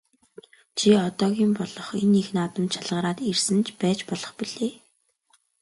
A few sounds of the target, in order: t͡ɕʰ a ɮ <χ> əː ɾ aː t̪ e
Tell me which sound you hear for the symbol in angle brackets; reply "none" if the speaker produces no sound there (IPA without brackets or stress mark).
ʁ